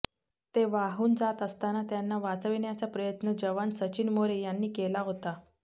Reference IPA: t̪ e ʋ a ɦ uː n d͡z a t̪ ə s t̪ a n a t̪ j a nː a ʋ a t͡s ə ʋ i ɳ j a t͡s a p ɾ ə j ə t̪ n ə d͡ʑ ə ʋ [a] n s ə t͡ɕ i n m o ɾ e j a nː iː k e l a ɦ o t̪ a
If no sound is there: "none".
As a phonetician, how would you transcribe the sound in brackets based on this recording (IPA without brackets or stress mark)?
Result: a